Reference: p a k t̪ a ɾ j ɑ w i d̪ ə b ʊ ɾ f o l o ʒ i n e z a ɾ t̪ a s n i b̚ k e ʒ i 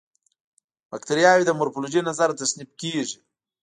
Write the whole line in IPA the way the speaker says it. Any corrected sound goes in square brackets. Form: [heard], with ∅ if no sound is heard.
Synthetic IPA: [b] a k t̪ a ɾ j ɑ w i d̪ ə [m] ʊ ɾ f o l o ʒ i n [a] z a ɾ t̪ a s n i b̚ k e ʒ i